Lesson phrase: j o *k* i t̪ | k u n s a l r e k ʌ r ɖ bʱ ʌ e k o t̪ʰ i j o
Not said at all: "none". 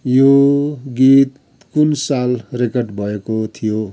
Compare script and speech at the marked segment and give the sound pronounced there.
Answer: ɡ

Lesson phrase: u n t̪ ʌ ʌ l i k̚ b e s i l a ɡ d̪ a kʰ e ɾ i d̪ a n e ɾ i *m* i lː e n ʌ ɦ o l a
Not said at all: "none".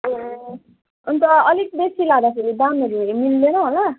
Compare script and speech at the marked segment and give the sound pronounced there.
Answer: m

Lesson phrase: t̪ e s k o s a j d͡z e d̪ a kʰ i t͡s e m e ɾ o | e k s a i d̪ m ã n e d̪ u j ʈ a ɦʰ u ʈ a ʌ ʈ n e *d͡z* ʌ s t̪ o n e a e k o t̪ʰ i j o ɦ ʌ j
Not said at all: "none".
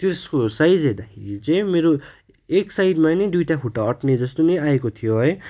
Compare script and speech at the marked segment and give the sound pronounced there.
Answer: d͡z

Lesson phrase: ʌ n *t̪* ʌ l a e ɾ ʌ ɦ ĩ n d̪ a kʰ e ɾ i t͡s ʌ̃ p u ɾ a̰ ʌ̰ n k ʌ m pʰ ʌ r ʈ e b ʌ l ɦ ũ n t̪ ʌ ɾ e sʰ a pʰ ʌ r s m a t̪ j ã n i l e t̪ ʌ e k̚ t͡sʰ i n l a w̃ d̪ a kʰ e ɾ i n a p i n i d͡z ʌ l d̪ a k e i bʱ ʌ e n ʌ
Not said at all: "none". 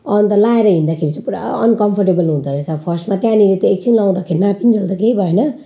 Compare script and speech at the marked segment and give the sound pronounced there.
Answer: t̪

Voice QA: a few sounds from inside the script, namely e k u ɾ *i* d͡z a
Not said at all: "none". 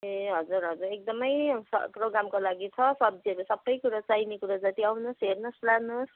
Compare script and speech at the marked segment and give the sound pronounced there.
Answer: a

